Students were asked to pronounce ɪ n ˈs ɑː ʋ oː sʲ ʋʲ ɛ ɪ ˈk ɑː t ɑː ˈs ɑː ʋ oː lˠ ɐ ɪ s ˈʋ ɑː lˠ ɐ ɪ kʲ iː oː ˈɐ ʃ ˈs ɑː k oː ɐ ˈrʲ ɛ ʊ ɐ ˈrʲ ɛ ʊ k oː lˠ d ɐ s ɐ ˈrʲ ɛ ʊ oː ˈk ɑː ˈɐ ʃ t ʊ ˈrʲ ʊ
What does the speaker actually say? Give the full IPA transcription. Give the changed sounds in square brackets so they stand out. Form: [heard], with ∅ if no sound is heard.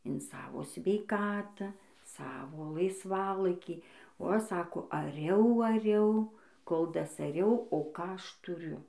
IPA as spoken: ɪ n ˈs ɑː ʋ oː sʲ ʋʲ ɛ ɪ ˈk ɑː t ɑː ˈs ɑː ʋ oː lˠ ɐ ɪ s ˈʋ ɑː lˠ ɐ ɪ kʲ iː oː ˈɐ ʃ ˈs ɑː k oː ɐ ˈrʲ ɛ ʊ ɐ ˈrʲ ɛ ʊ k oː lˠ d ɐ s ɐ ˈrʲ ɛ ʊ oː ˈk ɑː ˈɐ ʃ t ʊ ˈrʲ ʊ